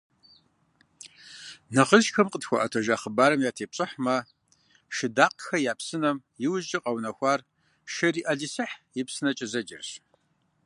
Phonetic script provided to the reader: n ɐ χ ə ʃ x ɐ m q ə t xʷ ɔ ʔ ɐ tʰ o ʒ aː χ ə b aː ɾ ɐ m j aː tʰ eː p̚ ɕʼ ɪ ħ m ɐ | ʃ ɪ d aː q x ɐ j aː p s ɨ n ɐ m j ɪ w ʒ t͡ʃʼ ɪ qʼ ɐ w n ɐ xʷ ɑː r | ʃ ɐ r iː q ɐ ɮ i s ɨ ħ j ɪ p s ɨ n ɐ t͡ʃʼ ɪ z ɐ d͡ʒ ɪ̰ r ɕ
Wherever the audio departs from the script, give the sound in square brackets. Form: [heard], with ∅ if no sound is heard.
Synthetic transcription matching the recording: n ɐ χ ə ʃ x ɐ m q ə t xʷ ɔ ʔ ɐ tʰ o ʒ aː χ ə b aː ɾ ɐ m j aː tʰ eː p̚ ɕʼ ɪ ħ m ɐ | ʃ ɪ d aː q x ɐ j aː p s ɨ n ɐ m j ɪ w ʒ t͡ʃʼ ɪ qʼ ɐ w n ɐ xʷ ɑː r | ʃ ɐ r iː [ʔ] ɐ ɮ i s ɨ ħ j ɪ p s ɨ n ɐ t͡ʃʼ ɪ z ɐ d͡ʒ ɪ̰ r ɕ